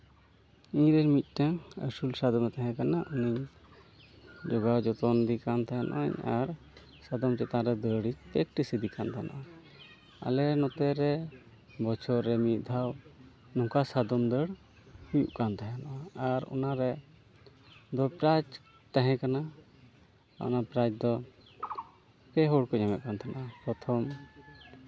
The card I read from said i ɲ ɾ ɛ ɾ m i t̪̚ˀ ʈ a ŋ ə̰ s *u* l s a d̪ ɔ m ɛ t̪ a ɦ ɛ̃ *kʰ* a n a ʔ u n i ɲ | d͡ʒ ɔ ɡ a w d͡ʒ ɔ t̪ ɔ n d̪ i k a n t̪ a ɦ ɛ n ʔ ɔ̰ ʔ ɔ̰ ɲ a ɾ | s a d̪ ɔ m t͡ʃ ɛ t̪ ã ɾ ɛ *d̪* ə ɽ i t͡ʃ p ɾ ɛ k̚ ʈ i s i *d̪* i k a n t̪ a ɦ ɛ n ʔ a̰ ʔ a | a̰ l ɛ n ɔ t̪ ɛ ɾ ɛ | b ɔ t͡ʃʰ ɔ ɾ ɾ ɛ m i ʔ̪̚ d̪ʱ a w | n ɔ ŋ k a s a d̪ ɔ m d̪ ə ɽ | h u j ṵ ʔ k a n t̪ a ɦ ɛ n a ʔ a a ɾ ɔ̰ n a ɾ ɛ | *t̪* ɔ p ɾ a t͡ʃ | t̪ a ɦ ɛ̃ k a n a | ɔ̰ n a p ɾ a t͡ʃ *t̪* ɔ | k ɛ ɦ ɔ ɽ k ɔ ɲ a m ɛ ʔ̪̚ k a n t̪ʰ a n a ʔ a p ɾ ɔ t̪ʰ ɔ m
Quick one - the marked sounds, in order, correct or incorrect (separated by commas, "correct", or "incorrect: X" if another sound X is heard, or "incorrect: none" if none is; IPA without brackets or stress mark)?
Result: correct, incorrect: k, correct, correct, incorrect: d̪, incorrect: d̪